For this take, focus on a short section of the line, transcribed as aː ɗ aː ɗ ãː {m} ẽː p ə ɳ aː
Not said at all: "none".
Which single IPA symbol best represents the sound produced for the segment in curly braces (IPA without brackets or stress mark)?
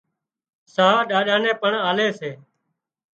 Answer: n